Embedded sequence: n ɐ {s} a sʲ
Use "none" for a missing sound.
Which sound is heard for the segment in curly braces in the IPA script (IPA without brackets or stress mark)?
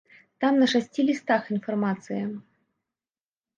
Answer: ʂ